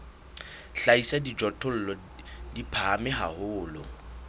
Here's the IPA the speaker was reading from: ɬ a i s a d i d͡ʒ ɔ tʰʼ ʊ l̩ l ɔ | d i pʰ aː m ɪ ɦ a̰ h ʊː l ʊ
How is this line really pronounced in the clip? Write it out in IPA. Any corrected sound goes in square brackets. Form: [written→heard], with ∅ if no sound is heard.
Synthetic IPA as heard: ɬ a i s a d i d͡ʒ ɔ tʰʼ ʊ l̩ l ɔ | d i pʰ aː m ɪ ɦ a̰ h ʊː l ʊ